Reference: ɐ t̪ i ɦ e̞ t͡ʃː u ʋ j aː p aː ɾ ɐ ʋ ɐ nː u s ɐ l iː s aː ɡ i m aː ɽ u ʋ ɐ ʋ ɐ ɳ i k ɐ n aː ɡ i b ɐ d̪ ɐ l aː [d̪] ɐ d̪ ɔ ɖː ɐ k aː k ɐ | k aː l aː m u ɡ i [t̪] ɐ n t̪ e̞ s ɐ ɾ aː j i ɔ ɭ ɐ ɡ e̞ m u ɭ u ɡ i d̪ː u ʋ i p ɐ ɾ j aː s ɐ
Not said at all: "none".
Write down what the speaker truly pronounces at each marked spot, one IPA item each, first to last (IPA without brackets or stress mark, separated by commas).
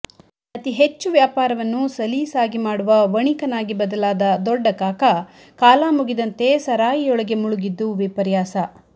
d̪, d̪